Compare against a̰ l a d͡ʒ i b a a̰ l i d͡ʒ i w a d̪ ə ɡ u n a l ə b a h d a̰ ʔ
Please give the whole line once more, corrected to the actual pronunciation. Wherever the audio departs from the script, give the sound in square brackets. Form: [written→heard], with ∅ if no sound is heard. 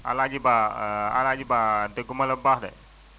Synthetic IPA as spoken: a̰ l a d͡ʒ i b a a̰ l [i→a] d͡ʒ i [w→b] a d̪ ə ɡ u [n→m] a l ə b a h d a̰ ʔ